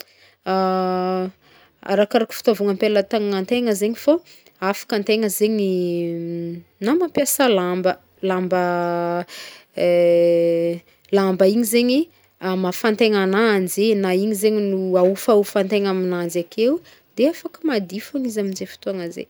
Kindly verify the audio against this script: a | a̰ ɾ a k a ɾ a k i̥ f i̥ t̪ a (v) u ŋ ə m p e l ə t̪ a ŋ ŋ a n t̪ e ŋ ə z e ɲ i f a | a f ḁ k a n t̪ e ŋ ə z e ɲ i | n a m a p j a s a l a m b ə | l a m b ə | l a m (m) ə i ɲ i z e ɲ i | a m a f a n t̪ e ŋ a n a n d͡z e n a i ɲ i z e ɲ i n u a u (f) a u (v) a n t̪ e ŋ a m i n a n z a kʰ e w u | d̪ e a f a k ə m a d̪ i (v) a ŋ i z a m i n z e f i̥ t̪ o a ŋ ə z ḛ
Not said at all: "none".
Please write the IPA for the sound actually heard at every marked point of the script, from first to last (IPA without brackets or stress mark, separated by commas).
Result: v, b, f, f, f